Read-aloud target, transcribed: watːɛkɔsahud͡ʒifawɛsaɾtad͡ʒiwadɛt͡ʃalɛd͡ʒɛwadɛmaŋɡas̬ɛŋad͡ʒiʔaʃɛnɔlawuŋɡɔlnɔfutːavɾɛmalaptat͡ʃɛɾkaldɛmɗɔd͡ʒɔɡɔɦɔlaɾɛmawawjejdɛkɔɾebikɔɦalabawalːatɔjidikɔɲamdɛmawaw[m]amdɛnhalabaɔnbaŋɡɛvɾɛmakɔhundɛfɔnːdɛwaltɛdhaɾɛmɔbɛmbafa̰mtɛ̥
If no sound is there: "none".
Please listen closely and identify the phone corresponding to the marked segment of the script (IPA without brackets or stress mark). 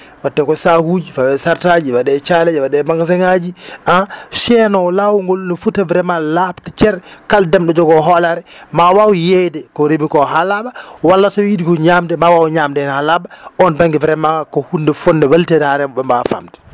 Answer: ɲ